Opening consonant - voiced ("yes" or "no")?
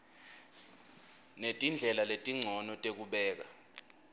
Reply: yes